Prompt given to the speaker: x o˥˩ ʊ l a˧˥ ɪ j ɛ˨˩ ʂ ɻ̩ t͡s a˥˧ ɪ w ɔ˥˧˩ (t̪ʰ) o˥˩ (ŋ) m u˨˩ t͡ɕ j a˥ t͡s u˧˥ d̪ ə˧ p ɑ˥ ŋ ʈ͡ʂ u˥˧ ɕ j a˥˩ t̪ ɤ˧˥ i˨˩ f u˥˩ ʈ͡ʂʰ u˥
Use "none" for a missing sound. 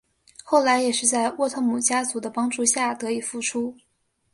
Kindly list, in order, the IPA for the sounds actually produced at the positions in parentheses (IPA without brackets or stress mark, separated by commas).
t̪ʰ, ŋ